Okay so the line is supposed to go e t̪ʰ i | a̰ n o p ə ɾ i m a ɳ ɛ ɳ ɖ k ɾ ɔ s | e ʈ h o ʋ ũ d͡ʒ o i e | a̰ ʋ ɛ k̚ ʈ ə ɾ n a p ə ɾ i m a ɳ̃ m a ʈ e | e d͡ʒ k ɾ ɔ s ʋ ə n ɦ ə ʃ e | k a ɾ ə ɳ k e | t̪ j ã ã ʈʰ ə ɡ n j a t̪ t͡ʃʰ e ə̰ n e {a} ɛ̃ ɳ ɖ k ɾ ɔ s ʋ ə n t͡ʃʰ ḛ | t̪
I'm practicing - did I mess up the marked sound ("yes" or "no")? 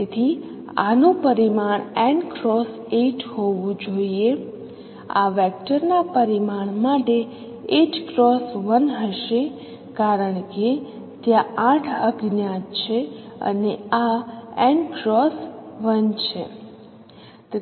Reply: no